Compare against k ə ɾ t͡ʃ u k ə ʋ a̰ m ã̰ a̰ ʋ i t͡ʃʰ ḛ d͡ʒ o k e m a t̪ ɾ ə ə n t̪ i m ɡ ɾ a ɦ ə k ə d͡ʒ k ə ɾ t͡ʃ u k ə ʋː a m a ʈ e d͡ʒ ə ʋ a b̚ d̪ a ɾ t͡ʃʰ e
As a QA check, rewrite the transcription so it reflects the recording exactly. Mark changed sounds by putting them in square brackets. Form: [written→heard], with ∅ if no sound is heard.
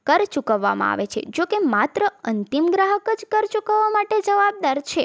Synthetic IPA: k ə ɾ t͡ʃ u k ə [ʋ→ʋː] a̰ m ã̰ a̰ ʋ [i→e] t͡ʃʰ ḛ d͡ʒ o k e m a t̪ ɾ ə ə n t̪ i m ɡ ɾ a ɦ ə k ə d͡ʒ k ə ɾ t͡ʃ u k ə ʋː a m a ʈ e d͡ʒ ə ʋ a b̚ d̪ a ɾ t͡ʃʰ e

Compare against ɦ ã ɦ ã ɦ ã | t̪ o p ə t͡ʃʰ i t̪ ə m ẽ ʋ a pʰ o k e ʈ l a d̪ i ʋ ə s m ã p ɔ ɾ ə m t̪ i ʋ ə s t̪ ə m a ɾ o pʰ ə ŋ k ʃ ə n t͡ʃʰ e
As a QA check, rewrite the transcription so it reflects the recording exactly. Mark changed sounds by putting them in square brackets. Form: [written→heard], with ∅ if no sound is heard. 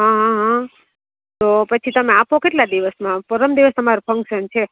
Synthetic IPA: ɦ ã ɦ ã ɦ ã | t̪ o p ə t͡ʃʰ i t̪ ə m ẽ [ʋ→∅] a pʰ o k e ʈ l a d̪ i ʋ ə s m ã p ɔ ɾ ə m [t̪→d̪] i ʋ ə s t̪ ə m a ɾ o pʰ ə ŋ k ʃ ə n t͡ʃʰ e

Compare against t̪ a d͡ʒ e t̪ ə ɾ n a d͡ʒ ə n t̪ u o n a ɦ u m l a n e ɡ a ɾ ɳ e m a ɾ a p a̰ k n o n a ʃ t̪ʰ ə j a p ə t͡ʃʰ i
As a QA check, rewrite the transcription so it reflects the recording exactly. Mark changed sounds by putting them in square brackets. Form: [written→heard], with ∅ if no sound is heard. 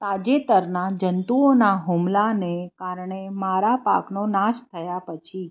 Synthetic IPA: t̪ a d͡ʒ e t̪ ə ɾ n a d͡ʒ ə n t̪ u o n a ɦ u m l a n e [ɡ→k] a ɾ ɳ e m a ɾ a p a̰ k n o n a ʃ t̪ʰ ə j a p ə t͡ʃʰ i

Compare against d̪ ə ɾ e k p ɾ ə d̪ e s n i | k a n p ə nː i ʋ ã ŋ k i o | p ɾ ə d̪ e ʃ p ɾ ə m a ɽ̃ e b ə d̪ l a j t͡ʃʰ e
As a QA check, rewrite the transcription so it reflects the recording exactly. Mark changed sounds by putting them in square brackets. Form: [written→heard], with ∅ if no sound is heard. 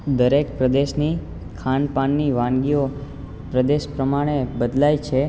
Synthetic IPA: d̪ ə ɾ e k p ɾ ə d̪ e [s→ʃ] n i | [k→kʰ] a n p [ə→a] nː i ʋ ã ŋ [k→ɡ] i o | p ɾ ə d̪ e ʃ p ɾ ə m a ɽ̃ e b ə d̪ l a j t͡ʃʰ e

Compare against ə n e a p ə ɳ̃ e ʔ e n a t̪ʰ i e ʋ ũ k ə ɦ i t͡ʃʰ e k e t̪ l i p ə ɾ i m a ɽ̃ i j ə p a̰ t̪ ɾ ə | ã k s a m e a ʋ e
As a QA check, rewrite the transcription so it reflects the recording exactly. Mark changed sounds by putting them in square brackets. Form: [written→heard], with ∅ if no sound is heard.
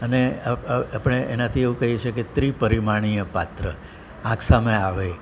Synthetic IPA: ə n e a p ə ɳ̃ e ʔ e n a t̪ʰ i e ʋ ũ k ə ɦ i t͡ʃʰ e k e t̪ [l→ɾ] i p ə ɾ i m a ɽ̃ i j ə p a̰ t̪ ɾ ə | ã k s a m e a ʋ e

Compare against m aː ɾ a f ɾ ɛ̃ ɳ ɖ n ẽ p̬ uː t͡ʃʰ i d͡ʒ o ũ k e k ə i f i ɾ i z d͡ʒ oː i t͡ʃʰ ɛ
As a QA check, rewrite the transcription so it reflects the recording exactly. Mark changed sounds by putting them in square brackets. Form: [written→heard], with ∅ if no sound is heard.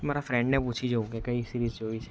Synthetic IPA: m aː ɾ a f ɾ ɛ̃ ɳ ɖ n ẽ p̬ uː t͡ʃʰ i d͡ʒ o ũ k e k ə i [f→s] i ɾ i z d͡ʒ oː i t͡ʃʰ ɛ

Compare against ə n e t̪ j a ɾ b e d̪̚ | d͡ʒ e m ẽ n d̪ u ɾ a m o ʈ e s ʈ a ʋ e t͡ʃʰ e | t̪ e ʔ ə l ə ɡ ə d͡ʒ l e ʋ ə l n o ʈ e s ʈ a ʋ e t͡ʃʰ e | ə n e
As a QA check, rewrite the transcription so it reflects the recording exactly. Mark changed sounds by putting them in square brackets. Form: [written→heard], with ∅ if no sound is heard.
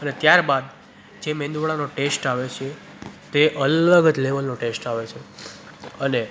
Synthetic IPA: ə n e t̪ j a ɾ b [e→a] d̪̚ | d͡ʒ e m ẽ n d̪ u [ɾ→ɭ] a [m→n] o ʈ e s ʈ a ʋ e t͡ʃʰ e | t̪ e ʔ ə l ə ɡ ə d͡ʒ l e ʋ ə l n o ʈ e s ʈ a ʋ e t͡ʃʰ e | ə n e

